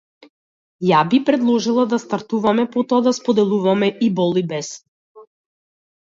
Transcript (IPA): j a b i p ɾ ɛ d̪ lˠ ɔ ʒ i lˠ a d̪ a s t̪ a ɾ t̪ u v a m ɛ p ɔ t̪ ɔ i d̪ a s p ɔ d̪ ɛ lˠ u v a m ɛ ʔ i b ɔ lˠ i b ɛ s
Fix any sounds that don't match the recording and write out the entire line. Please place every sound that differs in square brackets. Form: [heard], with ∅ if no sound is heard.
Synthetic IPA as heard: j a b i p ɾ ɛ d̪ lˠ ɔ ʒ i lˠ a d̪ a s t̪ a ɾ t̪ u v a m ɛ p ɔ t̪ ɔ [a] d̪ a s p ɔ d̪ ɛ lˠ u v a m ɛ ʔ i b ɔ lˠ i b ɛ s